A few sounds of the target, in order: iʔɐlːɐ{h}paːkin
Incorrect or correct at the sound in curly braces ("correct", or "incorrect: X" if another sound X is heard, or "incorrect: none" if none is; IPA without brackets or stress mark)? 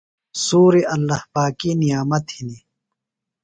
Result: correct